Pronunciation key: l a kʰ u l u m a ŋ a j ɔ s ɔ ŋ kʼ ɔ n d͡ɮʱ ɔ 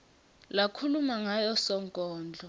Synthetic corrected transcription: l a kʰ u l u m a ŋ a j ɔ s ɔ ŋ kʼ ɔː n d͡ɮʱ ɔ